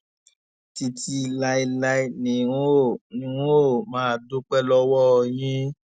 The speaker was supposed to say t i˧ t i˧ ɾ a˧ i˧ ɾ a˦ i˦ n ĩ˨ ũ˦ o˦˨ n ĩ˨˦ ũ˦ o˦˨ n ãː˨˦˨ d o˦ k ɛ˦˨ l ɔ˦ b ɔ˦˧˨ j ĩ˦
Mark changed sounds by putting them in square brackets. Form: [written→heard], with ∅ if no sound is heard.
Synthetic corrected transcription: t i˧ t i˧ [ɾ→l] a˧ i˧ [ɾ→l] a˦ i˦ n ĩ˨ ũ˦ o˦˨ n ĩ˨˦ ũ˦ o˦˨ [n→m] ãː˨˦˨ d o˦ [k→k͡p] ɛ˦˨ l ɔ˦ [b→w] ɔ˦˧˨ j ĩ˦